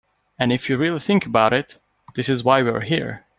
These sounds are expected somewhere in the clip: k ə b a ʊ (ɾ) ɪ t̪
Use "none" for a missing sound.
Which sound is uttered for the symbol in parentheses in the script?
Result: ɾ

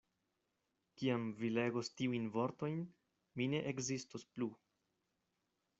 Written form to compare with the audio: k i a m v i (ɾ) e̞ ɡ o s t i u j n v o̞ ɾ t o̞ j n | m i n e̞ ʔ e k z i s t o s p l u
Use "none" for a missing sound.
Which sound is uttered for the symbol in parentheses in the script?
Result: l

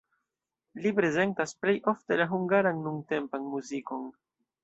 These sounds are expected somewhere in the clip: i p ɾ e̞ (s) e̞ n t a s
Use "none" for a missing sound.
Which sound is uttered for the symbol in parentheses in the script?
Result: z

